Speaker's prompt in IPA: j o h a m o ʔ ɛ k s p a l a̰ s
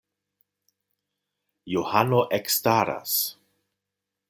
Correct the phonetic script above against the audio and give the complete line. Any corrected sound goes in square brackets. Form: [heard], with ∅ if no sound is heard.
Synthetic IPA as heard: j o h a [n] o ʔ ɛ k s [t] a [ɾ] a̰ s